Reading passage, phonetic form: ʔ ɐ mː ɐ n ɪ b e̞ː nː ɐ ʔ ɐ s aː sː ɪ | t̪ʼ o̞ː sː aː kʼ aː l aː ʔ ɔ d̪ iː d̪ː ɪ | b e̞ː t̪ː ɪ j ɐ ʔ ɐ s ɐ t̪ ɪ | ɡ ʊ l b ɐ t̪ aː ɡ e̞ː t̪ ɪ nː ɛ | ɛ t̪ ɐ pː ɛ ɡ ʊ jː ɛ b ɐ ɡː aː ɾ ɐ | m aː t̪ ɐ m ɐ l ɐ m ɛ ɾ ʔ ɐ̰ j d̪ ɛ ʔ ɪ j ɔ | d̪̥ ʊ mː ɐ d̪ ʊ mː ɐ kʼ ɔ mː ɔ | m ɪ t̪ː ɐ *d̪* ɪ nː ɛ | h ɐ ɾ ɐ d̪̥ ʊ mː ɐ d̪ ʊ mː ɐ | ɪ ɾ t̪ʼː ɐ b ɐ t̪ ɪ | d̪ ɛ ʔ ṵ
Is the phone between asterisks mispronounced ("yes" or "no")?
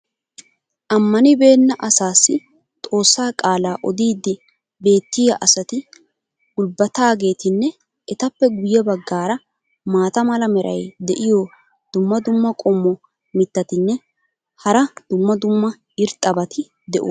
yes